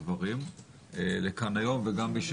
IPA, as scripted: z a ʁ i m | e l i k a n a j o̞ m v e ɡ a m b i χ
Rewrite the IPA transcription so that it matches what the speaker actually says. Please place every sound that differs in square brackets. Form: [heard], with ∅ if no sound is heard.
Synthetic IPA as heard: [v] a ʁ i m | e l [e] k a n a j o̞ m v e ɡ a m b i [ʃ]